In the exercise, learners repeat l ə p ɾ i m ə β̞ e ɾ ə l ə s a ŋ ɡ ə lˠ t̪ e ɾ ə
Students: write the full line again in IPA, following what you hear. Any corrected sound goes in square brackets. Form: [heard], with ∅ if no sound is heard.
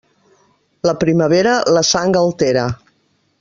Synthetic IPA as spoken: l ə p ɾ i m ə β̞ e ɾ ə l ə s a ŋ ɡ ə lˠ t̪ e ɾ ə